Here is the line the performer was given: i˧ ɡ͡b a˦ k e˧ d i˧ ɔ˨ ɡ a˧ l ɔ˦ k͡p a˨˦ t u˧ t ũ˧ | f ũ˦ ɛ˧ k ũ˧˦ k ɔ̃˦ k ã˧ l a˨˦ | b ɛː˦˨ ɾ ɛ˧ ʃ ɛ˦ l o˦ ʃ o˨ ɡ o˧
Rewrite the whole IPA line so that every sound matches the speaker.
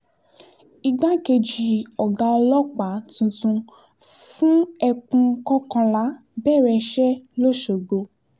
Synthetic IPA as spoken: i˧ ɡ͡b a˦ k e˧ d͡ʒ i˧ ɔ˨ ɡ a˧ l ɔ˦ k͡p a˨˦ t ũ˧ t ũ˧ | f ũ˦ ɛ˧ k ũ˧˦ k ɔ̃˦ k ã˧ l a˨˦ | b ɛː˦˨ ɾ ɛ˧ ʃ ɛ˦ l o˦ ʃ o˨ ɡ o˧